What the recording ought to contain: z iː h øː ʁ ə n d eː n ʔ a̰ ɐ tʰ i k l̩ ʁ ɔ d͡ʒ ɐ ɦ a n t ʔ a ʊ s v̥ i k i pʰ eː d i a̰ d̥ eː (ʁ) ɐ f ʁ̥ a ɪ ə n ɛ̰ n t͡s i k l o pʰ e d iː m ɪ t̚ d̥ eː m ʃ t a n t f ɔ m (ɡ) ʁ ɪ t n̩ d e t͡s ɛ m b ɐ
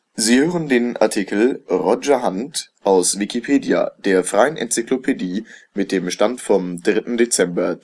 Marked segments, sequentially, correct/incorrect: incorrect: none, incorrect: d

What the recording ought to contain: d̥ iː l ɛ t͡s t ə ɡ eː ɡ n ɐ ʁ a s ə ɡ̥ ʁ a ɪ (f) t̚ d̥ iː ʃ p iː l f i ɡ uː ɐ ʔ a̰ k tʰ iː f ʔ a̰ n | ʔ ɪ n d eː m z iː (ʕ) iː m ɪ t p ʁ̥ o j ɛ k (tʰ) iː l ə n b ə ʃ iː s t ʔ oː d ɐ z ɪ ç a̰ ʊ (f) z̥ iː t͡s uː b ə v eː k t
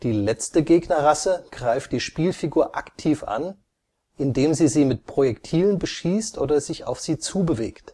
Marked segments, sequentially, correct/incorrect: correct, incorrect: z, correct, correct

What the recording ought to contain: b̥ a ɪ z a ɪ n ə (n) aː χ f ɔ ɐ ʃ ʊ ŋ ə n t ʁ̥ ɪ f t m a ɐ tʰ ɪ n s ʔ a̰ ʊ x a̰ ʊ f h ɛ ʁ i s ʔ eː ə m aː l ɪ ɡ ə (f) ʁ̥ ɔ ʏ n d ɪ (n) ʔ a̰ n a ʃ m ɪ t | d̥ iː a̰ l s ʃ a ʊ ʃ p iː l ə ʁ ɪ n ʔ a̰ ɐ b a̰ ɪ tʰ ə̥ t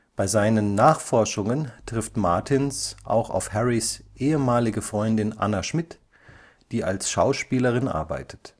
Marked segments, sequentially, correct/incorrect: incorrect: nː, correct, correct

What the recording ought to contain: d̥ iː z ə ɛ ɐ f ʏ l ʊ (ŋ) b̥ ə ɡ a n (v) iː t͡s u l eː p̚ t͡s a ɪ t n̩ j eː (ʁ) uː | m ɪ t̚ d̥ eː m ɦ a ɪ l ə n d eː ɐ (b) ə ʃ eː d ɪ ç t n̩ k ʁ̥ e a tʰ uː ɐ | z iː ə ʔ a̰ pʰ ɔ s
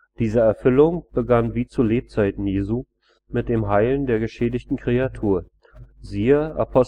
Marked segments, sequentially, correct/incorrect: correct, correct, incorrect: z, incorrect: ɡ

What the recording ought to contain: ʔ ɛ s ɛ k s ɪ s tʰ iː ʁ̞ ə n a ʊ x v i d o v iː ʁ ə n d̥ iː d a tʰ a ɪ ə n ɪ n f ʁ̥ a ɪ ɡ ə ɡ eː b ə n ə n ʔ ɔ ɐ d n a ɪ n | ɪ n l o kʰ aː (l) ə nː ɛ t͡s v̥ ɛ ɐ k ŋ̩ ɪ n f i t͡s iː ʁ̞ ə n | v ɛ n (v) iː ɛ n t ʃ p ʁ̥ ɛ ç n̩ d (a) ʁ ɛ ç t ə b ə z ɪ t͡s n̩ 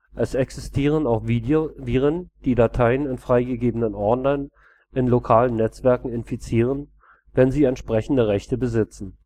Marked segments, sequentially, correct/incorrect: correct, incorrect: z, incorrect: ə

